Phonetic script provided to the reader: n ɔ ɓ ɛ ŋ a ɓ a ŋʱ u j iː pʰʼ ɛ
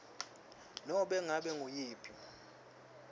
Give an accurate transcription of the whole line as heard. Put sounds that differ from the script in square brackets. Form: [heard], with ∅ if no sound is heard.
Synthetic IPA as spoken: n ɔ ɓ ɛ ŋ a ɓ [ɛ] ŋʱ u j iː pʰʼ [i]